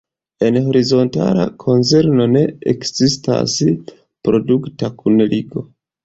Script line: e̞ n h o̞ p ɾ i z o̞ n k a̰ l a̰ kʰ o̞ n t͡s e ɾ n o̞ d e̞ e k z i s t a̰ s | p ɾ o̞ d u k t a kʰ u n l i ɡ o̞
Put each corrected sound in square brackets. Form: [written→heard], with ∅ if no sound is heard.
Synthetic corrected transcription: e̞ n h o̞ [p→∅] ɾ i z o̞ n [k→t] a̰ l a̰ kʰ o̞ n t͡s e ɾ n o̞ [d→n] e̞ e k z i s t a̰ s | p ɾ o̞ d u k t a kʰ u n l i ɡ o̞